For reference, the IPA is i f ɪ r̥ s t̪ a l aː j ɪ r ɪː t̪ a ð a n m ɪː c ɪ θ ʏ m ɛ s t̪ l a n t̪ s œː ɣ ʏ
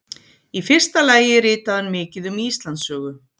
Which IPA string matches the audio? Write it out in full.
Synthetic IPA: i f ɪ r̥ s t̪ a l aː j ɪ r ɪː t̪ a ð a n m ɪː c ɪ ð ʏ m i s t̪ l a n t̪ s œː ɣ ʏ

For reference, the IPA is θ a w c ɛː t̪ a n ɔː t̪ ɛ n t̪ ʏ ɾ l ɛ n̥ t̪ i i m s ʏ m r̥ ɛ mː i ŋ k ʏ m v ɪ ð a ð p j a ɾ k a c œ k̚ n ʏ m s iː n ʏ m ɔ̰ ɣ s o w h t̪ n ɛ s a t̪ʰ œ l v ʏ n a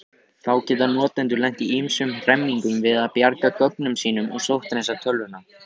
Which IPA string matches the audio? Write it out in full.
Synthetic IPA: θ a w c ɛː t̪ a n ɔː t̪ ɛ n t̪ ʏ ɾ l ɛ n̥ t̪ i i m s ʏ m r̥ ɛ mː i ŋ k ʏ m v ɪ ð a ð p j a ɾ k a k œ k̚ n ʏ m s iː n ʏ m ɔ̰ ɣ s o w h t̪ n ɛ s a t̪ʰ œ l v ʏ n a

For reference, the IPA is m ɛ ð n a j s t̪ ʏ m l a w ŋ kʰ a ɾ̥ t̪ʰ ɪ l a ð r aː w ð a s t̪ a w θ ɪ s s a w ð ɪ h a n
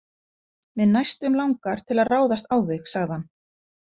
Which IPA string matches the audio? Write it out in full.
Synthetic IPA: m ɛ ð n a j s t̪ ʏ m l a w ŋ k a ɾ̥ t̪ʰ ɪ l a ð r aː w ð a s t̪ a w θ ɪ x s a ɣ ð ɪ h a n

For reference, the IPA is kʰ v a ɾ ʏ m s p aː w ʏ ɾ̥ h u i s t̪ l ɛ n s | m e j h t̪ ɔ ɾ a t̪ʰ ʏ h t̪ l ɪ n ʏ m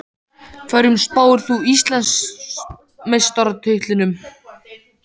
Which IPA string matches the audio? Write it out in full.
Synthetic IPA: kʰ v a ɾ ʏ m s p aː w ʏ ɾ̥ θ u i s t̪ l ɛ n s | m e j s t̪ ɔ ɾ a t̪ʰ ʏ h t̪ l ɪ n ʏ m

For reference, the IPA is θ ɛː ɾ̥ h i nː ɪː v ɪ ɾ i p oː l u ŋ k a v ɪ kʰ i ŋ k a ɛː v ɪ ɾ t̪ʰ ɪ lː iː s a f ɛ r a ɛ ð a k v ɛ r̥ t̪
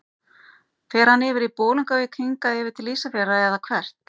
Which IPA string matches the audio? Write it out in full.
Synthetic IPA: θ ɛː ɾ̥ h a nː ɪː v ɪ ɾ i p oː l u ŋ k a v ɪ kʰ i ŋ k a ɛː v ɪ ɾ t̪ʰ ɪ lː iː s a f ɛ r a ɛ ð a kʰ v ɛ r̥ t̪

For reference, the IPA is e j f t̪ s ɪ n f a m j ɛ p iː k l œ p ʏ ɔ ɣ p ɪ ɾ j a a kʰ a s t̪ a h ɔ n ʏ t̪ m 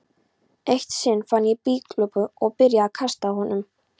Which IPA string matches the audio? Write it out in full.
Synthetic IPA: e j h t̪ s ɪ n f a n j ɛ p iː k l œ p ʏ ɔ ɣ p ɪ ɾ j a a kʰ a s t̪ a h ɔ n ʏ m

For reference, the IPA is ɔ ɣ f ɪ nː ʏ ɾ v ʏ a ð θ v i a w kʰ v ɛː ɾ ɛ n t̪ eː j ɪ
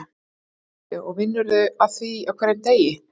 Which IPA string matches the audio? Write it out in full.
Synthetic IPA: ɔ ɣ v ɪ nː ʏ ɾ ð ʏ a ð θ v i a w kʰ v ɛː ɾ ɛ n t̪ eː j ɪ

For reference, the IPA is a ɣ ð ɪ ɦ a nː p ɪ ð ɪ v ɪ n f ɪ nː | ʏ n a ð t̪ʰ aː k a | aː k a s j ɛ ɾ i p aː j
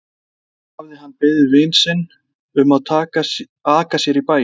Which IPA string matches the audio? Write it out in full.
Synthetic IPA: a v ð ɪ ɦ a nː p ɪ ð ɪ v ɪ n s ɪ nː | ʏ m a ð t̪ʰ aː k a | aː k a s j ɛ ɾ i p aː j

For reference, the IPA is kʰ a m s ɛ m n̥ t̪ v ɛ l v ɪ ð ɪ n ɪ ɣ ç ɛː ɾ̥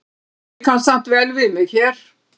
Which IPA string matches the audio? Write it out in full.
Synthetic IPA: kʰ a n s a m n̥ t̪ v ɛ l v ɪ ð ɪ m ɪ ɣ ç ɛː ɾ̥

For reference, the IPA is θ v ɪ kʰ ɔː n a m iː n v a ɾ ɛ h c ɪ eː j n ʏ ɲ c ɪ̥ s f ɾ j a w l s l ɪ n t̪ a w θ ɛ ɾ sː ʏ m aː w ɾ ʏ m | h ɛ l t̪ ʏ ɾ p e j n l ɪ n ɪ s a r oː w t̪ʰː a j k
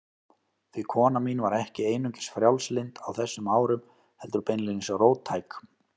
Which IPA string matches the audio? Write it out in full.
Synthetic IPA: θ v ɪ kʰ ɔː n a m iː n v a ɾ ɛ h c ɪ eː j n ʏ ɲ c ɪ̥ s f ɾ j a w l s l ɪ n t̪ a w θ ɛ sː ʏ m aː w ɾ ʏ m | h ɛ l t̪ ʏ ɾ p e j n l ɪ n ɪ s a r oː w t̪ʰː a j k

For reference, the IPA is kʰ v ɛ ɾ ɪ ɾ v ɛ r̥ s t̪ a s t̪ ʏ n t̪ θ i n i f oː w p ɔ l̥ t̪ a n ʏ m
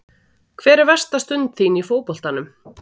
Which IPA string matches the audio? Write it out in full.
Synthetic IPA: kʰ v ɛː ɾ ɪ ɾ v ɛ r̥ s t̪ a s t̪ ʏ n t̪ θ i n i f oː w p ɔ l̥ t̪ a n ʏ m

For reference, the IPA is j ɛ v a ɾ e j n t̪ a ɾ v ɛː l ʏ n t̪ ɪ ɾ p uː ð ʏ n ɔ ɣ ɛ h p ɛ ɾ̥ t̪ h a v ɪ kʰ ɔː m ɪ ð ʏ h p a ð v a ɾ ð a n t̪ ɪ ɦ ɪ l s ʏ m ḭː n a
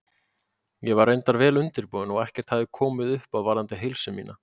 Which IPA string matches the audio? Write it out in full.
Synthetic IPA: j ɛ v a ɾ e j n t̪ a ɾ v ɛː l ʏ n t̪ ɪ ɾ p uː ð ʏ n ɔ ɣ ɛ h c ɛ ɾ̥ t̪ h a ð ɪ kʰ ɔː m ɪ ð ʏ h p a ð v a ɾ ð a n t̪ ɪ ɦ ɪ l s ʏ m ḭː n a

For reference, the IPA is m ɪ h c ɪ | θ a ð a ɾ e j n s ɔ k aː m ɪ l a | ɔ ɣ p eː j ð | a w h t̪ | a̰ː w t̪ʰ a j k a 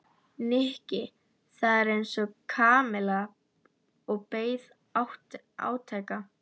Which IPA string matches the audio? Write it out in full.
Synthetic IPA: n ɪ h c ɪ | θ a ð ɛ ɾ e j n s ɔ kʰ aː m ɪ l a | ɔ ɣ p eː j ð | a w h t̪ | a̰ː w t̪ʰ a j k a

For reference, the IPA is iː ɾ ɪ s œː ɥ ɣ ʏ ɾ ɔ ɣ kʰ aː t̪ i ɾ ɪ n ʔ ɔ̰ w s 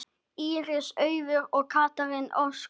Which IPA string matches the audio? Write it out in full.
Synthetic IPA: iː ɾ ɪ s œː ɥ v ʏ ɾ ɔ ɣ kʰ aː t̪ a ɾ ɪ n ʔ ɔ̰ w s

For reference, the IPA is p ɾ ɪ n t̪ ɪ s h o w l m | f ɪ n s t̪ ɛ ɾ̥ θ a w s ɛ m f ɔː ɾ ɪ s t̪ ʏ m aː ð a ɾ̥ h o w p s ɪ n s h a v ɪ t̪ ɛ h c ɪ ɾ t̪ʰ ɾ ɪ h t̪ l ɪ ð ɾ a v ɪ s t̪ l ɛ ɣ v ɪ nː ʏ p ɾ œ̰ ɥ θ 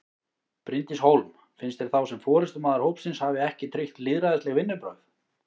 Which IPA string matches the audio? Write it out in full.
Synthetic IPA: p ɾ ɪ n t̪ ɪ s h o w l m | f ɪ n s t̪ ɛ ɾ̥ θ a w s ɛ m f ɔː ɾ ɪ s t̪ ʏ m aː ð a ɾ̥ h o w p s ɪ n s h a v ɪ ɛ h c ɪ t̪ʰ ɾ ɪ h t̪ l ɪ ð ɾ a ð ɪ s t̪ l ɛ ɣ v ɪ nː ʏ p ɾ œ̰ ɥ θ

